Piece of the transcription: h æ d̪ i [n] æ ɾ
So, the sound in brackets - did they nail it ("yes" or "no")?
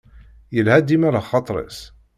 no